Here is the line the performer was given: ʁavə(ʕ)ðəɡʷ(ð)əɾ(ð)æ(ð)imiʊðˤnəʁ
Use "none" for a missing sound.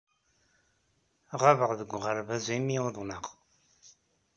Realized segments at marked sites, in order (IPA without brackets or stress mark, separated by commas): ʁ, ʁ, v, z